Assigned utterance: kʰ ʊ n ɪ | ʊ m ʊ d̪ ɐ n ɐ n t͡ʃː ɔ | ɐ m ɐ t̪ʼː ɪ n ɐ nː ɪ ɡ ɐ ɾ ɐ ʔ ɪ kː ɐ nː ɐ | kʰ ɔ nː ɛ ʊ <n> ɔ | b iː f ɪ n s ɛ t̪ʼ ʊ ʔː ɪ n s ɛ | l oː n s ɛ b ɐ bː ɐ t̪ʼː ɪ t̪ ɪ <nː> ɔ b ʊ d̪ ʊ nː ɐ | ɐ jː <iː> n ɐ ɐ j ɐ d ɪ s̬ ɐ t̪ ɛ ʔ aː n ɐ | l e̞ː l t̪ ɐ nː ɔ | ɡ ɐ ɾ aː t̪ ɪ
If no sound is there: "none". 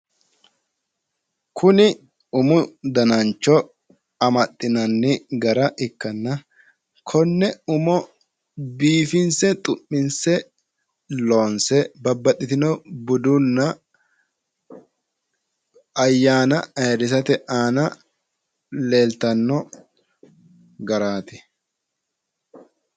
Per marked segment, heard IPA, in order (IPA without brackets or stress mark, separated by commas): m, n, aː